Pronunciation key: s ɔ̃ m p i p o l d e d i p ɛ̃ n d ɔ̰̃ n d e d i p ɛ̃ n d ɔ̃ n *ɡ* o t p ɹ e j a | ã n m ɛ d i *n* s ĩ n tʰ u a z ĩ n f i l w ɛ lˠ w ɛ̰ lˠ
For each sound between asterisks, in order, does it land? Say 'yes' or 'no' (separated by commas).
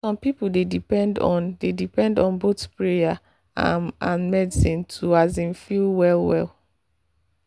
no, no